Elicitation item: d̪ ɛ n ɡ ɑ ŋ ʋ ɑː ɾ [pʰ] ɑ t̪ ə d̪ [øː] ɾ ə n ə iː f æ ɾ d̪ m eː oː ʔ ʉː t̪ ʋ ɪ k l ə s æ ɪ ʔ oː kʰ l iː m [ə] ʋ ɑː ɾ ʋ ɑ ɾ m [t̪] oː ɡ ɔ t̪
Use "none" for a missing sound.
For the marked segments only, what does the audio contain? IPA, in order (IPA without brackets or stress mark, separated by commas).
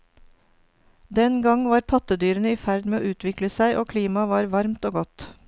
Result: pʰ, yː, ɑ, t̪